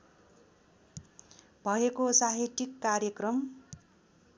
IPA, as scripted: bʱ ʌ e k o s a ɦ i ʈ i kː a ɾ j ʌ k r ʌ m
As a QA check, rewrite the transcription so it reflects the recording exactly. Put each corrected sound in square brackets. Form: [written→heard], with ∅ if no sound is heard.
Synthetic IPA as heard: bʱ ʌ e k o s a ɦ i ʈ i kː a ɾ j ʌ k r ʌ m